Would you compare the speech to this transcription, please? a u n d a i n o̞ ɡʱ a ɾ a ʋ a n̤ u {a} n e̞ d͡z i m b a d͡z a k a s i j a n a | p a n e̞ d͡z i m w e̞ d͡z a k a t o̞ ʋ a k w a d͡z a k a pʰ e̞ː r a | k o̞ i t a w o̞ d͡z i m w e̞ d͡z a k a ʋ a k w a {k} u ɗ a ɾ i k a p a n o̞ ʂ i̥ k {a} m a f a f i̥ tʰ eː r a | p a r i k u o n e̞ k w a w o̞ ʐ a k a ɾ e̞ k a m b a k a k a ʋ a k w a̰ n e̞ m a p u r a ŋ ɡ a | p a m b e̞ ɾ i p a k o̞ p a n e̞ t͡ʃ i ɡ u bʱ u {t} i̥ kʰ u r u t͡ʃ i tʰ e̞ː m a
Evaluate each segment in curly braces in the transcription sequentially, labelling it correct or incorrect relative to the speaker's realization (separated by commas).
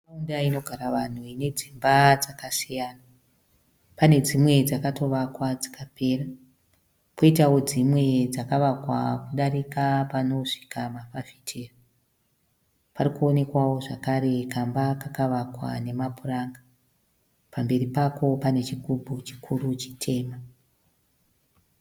incorrect, correct, correct, incorrect